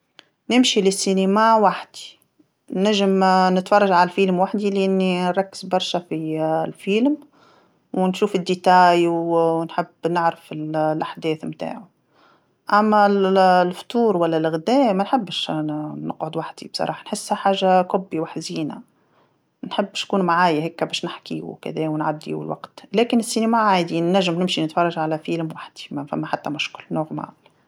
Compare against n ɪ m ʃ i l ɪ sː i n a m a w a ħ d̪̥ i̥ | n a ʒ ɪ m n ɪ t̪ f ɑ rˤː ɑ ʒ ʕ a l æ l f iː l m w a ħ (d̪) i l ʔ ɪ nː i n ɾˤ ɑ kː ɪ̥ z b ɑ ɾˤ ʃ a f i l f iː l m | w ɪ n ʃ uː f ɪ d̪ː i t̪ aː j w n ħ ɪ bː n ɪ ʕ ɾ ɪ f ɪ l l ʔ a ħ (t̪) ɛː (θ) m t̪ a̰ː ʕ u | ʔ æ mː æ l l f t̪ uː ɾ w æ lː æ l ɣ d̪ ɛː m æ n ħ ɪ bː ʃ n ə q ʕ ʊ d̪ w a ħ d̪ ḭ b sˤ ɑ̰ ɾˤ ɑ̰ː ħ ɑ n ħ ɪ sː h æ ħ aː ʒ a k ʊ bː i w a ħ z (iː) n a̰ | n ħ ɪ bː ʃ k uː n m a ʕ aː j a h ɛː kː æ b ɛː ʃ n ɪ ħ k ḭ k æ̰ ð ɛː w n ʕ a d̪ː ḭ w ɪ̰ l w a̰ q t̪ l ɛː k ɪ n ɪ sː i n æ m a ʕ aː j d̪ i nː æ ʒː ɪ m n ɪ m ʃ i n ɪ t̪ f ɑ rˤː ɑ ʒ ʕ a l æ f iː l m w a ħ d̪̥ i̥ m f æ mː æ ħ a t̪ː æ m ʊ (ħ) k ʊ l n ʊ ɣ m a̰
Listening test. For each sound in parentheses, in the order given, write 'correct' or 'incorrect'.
correct, incorrect: d̪, correct, correct, incorrect: ʃ

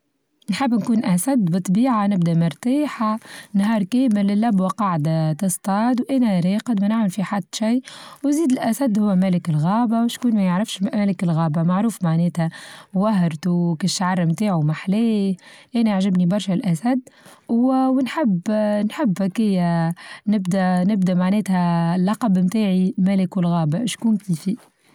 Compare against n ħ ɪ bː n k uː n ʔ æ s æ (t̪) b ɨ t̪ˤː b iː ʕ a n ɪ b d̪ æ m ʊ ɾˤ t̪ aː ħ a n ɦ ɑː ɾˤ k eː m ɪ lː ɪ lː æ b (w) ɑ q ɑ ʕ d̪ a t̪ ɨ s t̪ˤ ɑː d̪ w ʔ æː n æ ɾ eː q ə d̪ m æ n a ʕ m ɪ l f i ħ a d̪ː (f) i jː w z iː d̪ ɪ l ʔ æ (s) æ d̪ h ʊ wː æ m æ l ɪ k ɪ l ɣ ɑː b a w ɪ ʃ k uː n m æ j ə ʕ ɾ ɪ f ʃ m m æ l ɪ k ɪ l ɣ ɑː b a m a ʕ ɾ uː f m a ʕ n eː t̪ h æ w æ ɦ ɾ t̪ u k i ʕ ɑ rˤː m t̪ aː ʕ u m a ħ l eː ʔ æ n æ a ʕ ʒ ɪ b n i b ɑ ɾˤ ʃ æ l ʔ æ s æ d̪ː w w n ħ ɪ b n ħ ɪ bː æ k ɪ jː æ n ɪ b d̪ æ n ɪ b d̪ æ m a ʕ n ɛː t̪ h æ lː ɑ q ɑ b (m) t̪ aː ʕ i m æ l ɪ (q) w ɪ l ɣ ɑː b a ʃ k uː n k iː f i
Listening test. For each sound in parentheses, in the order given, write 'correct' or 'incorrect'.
incorrect: d̪, correct, incorrect: ʃ, correct, correct, incorrect: k

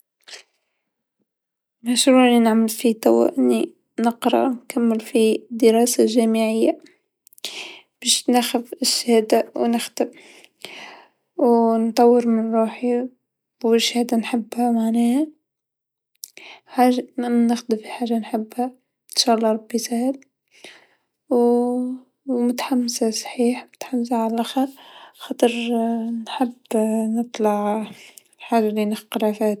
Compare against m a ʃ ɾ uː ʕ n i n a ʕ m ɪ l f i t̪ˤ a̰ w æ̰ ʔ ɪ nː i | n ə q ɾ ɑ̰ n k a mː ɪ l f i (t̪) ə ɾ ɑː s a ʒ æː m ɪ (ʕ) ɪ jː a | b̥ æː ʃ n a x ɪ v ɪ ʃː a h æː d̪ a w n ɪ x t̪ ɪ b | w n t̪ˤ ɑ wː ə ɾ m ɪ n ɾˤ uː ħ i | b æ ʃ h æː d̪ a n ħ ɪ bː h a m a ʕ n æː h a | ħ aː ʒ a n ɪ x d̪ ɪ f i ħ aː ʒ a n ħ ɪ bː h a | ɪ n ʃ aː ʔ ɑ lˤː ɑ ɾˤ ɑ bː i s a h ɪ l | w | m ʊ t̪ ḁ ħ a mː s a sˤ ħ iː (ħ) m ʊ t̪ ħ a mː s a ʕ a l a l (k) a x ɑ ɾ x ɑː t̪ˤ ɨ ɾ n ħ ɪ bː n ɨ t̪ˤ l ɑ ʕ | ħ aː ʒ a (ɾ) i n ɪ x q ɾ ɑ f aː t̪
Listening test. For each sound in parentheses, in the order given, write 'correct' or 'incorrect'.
incorrect: d̪, correct, correct, incorrect: ʔ, incorrect: l

